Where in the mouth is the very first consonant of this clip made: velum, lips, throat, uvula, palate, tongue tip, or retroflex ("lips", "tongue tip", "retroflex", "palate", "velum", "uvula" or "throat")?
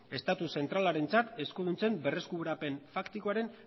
tongue tip